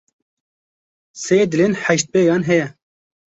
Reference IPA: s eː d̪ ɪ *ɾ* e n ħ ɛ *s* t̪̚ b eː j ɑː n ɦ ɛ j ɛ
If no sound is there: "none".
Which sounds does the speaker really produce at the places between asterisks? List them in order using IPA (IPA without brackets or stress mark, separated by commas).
l, ʃ